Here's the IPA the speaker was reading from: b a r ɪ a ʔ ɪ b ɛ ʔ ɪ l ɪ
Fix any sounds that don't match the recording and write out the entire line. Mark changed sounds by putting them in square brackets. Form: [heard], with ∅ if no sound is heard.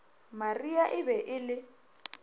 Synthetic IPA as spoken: [m] a r [i] a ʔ ɪ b ɛ ʔ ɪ l ɪ